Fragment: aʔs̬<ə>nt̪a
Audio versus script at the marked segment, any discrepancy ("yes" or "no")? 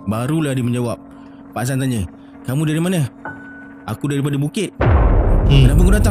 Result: yes